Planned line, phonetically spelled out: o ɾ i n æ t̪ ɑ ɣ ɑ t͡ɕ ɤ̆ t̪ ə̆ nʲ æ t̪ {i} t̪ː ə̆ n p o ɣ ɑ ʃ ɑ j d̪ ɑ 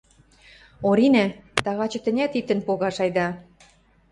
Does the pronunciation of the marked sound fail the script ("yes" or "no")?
no